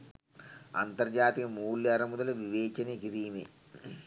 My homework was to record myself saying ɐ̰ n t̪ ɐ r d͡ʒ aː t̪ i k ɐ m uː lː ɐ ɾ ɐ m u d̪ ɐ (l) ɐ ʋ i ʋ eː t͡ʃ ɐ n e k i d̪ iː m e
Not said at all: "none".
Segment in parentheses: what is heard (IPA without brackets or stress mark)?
l